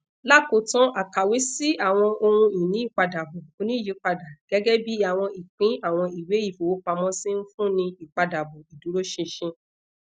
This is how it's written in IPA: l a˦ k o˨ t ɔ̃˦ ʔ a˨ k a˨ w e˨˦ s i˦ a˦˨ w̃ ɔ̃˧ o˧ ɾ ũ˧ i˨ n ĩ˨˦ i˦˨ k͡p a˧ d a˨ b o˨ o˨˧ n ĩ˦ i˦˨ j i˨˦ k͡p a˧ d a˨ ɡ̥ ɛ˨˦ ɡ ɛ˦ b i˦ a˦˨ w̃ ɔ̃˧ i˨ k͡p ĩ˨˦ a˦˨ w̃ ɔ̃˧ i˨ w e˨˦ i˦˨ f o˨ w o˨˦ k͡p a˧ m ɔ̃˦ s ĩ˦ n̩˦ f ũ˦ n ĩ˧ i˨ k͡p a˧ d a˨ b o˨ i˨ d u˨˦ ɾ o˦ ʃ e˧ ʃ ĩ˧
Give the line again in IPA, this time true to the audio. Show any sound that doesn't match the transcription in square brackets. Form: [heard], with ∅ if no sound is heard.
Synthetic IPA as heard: l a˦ k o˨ t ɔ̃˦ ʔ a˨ k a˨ w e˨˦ s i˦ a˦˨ w̃ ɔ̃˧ o˧ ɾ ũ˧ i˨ n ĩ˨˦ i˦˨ k͡p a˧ d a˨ b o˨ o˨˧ n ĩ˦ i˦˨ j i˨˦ k͡p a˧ d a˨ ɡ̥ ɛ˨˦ ɡ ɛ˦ b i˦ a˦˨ w̃ ɔ̃˧ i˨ k͡p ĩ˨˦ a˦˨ w̃ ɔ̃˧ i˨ w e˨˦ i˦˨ f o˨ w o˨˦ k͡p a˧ m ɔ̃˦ s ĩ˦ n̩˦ f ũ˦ n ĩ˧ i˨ k͡p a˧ d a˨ b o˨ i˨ d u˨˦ ɾ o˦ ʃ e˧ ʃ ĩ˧